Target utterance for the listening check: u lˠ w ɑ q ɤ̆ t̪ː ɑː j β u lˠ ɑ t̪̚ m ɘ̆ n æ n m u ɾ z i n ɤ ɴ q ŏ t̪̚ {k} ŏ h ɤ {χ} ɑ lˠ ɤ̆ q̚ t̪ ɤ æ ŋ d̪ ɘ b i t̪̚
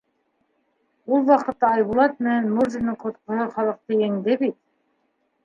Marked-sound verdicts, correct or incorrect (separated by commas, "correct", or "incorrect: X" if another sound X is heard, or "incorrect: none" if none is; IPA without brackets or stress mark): incorrect: q, correct